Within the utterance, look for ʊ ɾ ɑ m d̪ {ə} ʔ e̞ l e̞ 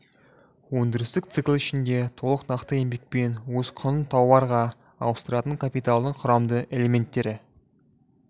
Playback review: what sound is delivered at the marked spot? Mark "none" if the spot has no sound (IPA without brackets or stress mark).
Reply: ə